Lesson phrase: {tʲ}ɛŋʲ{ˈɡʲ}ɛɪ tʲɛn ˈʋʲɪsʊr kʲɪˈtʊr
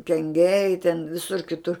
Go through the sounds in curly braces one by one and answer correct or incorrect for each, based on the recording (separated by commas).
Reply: incorrect, correct